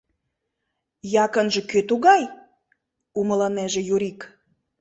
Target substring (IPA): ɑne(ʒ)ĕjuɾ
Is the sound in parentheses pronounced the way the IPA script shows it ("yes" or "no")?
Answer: yes